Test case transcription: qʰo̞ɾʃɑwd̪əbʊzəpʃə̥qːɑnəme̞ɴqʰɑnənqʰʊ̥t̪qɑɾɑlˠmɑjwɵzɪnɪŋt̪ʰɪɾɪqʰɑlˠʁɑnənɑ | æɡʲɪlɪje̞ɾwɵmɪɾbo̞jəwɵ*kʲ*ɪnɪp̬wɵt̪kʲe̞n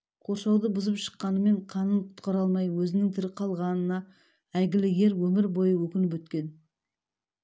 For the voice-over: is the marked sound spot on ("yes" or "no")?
yes